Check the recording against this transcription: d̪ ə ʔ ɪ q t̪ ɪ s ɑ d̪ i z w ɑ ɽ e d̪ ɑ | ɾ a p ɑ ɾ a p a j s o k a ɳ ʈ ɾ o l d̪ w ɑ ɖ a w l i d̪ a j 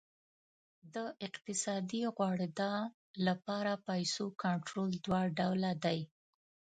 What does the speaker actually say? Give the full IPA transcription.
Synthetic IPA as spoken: d̪ ə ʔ ɪ q t̪ ɪ s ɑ d̪ i ɣ w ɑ ɽ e d̪ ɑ | l a p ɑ ɾ a p a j s o k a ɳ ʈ ɾ o l d̪ w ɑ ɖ a w l a d̪ a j